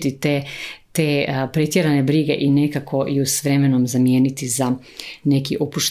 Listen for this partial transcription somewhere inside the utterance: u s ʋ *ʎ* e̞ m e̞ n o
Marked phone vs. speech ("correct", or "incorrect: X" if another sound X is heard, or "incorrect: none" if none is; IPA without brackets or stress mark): incorrect: ɾ